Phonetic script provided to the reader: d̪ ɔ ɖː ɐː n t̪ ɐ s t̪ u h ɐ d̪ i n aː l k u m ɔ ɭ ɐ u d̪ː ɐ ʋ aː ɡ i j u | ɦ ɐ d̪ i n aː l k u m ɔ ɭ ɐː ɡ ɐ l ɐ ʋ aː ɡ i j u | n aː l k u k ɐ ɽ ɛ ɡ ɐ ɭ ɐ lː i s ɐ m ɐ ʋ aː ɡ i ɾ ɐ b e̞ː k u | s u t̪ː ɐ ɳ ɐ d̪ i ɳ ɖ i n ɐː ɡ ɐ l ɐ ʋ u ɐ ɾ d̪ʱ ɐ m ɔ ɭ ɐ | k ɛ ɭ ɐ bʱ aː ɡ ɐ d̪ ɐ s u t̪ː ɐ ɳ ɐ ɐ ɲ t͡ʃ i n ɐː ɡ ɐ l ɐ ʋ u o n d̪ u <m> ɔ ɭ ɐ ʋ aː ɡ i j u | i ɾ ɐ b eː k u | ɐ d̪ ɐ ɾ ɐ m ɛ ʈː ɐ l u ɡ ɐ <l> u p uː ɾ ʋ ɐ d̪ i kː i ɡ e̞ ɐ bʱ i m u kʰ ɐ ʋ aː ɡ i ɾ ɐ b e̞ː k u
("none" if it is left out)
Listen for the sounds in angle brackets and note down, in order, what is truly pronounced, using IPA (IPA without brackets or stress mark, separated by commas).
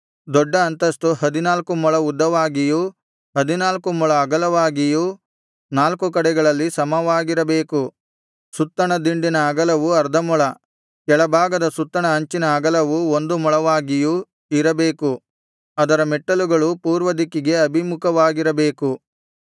m, ɭ